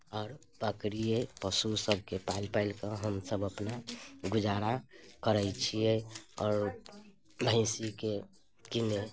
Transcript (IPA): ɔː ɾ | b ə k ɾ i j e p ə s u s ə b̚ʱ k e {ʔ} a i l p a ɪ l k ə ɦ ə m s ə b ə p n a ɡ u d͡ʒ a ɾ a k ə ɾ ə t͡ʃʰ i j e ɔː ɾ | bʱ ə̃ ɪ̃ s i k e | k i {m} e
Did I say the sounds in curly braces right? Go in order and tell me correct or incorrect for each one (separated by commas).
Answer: incorrect, incorrect